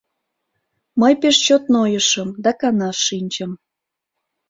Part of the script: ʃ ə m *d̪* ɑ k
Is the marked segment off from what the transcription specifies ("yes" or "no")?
no